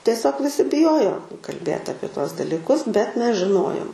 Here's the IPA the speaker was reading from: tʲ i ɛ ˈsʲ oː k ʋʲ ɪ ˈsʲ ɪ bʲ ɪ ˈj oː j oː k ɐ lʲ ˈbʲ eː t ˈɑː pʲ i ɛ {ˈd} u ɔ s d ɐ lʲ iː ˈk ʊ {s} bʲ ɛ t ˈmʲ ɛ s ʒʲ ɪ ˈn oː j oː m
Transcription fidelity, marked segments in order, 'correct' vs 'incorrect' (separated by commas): incorrect, correct